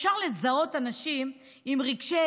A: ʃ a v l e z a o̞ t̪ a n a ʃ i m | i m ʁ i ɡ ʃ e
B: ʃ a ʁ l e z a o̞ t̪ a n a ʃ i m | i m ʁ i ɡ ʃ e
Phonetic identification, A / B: B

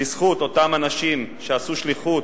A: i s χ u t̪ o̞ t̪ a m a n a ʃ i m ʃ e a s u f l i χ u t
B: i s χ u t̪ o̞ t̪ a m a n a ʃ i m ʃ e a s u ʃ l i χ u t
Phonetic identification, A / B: B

